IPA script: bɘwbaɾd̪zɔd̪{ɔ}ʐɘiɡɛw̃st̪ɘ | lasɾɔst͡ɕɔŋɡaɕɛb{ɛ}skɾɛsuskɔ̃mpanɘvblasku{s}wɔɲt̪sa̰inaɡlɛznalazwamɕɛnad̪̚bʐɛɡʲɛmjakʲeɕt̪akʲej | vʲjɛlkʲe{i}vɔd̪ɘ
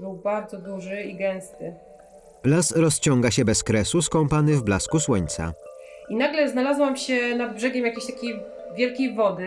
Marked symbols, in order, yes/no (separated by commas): no, yes, yes, no